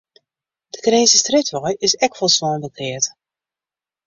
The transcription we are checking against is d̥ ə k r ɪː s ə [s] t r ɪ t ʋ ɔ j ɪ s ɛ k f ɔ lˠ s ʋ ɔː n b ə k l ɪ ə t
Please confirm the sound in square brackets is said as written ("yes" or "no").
yes